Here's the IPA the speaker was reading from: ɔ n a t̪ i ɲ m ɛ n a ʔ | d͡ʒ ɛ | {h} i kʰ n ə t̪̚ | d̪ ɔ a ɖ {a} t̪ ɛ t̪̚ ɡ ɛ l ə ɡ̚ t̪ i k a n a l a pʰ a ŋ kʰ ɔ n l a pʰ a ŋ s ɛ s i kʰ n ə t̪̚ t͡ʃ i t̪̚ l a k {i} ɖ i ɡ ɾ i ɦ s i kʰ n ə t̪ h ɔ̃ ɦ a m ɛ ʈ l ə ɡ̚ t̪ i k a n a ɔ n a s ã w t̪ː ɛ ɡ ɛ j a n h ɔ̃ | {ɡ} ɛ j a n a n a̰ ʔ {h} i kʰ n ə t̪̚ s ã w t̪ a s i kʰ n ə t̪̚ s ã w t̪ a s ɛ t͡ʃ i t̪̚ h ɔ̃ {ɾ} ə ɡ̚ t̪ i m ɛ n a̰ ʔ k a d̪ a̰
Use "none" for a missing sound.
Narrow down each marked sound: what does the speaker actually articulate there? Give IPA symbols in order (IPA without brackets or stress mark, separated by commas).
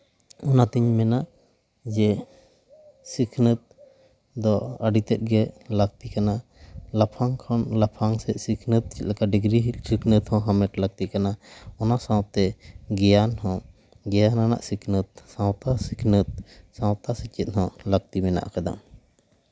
s, i, a, ɡ, s, l